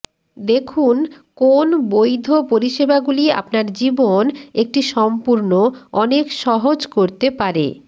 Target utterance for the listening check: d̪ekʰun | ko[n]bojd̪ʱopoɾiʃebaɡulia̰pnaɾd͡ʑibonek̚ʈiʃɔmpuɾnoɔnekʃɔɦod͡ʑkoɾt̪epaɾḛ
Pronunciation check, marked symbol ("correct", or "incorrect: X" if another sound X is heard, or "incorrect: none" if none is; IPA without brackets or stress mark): correct